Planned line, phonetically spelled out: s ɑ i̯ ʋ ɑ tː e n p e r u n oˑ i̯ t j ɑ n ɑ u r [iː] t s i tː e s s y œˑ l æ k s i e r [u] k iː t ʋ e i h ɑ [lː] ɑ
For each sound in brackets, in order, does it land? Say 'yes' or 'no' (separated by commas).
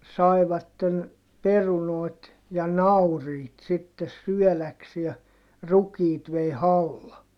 yes, yes, yes